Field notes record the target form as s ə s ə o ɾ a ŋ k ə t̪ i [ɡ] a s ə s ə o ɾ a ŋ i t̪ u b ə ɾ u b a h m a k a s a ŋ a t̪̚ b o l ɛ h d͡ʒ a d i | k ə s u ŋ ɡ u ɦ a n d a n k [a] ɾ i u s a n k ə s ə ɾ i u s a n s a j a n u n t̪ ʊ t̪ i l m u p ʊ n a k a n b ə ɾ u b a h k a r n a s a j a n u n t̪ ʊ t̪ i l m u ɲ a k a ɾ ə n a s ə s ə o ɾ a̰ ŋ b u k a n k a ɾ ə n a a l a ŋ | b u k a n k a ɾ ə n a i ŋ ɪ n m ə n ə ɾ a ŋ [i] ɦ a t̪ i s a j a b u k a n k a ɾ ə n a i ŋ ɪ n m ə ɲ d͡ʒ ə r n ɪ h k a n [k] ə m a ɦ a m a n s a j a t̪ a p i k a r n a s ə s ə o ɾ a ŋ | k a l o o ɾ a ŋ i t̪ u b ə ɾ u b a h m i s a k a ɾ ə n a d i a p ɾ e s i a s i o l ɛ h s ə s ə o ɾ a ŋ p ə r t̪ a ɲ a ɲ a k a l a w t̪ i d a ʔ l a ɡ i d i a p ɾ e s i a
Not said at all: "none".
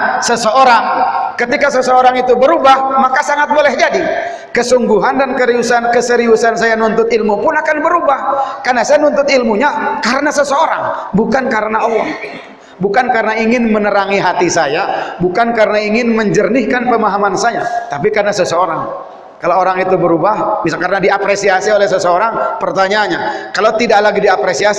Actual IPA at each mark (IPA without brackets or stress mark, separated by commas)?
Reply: k, ə, i, p